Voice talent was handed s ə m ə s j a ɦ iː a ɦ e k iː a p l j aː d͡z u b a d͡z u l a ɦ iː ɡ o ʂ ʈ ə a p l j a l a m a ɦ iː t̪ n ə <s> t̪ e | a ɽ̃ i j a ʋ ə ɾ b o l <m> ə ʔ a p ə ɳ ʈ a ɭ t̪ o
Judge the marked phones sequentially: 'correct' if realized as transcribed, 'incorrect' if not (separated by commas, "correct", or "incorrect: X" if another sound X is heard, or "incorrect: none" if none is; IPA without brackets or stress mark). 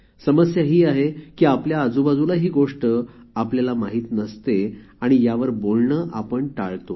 correct, incorrect: ɳ